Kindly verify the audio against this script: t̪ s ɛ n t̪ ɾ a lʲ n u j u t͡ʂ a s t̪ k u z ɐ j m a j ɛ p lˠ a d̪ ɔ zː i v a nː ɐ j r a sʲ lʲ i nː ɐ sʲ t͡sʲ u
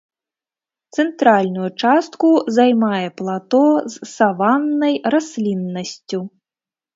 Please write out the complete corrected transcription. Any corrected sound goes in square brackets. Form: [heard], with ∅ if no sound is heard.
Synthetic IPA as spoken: t̪ s ɛ n t̪ ɾ a lʲ n u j u t͡ʂ a s t̪ k u z [a] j m a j ɛ p lˠ a [t̪] ɔ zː [a] v a nː ɐ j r a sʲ lʲ i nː ɐ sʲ t͡sʲ u